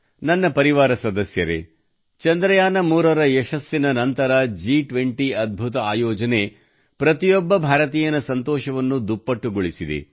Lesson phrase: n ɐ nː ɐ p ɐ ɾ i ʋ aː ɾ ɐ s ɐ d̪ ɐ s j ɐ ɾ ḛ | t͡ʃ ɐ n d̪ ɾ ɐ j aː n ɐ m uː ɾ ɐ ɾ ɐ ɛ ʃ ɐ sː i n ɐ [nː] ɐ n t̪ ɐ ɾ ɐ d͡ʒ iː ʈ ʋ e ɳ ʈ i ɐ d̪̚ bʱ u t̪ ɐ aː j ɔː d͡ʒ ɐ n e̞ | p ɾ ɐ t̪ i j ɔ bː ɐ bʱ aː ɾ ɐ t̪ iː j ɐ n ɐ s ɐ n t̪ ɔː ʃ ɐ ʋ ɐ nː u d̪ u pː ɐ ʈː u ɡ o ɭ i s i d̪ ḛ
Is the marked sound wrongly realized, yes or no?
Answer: yes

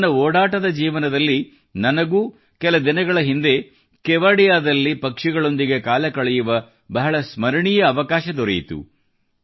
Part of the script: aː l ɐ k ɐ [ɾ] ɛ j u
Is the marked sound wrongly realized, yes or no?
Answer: yes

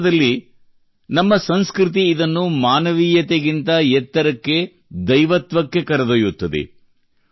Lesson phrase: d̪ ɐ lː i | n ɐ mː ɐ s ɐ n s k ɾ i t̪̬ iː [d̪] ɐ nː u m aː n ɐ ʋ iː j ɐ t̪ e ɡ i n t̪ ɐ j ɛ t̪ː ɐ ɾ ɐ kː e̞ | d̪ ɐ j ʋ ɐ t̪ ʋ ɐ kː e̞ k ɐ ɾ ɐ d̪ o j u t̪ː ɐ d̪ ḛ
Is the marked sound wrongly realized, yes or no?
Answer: no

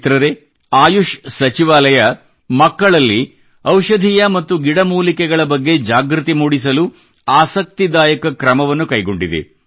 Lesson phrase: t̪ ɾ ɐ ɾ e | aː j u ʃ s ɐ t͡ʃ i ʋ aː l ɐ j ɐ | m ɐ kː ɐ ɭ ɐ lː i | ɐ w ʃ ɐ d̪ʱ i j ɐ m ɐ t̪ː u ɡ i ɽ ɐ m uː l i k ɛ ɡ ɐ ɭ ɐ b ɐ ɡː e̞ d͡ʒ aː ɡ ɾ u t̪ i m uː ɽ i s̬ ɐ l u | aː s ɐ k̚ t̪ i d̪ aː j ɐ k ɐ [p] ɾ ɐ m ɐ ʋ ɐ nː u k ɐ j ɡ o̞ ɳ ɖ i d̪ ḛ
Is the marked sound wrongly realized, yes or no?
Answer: yes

